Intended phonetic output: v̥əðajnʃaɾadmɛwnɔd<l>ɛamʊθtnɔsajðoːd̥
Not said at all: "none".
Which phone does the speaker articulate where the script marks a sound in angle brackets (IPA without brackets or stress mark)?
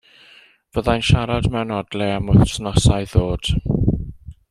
l